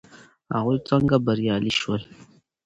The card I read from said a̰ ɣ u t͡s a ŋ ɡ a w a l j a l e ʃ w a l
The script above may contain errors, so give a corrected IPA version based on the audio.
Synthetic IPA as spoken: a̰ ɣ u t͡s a ŋ ɡ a b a ɾ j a l i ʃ w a l